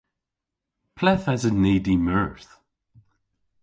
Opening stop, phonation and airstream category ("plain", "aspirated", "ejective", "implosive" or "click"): aspirated